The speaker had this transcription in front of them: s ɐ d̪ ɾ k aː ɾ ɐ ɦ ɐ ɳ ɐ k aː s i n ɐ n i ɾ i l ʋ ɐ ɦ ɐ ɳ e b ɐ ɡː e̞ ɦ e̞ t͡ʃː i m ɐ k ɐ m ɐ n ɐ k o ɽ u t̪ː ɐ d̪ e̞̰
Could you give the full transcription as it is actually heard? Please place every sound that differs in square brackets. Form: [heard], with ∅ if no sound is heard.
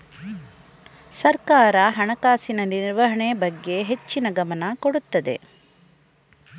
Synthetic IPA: s ɐ [∅] ɾ k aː ɾ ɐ ɦ ɐ ɳ ɐ k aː s i n ɐ n i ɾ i [ɾ] ʋ ɐ ɦ ɐ ɳ e b ɐ ɡː e̞ ɦ e̞ t͡ʃː i [n] ɐ [ɡ] ɐ m ɐ n ɐ k o ɽ u t̪ː ɐ d̪ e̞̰